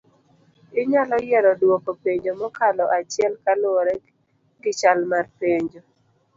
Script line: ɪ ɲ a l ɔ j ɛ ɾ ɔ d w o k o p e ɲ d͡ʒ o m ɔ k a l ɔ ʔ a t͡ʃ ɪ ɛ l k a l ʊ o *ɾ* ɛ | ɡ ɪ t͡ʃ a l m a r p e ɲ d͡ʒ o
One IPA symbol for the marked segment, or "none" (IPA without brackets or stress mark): ɾ